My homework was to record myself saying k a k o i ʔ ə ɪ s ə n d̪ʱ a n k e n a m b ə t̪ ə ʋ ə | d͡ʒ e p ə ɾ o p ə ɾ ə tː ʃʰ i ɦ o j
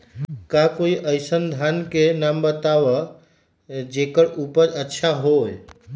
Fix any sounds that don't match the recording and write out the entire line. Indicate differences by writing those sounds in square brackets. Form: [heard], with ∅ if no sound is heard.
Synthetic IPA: k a k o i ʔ ə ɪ s ə n d̪ʱ a n k e n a m b ə t̪ [a] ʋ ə | d͡ʒ e [k] ə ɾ [u] p ə ɾ ə tː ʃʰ [a] ɦ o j